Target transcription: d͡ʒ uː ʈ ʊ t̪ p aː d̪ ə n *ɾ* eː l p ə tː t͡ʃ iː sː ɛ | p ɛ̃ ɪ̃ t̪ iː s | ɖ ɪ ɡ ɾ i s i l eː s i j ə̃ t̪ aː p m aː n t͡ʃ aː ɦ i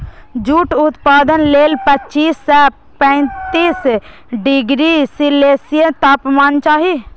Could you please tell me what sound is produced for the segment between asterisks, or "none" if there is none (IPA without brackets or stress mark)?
l